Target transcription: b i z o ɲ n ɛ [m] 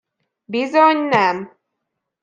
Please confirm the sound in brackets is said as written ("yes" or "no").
yes